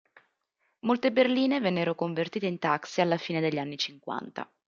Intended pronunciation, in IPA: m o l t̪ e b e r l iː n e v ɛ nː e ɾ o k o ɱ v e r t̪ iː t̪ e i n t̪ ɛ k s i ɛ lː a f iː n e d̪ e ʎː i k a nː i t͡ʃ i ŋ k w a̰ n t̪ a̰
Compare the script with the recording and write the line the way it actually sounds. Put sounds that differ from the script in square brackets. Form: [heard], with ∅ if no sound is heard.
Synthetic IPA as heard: m o l t̪ e b e r l iː n e v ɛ nː e ɾ o k o ɱ v e r t̪ iː t̪ e i n t̪ [a] k s i [a] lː a f iː n e d̪ e ʎː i [∅] a nː i t͡ʃ i ŋ k w a̰ n t̪ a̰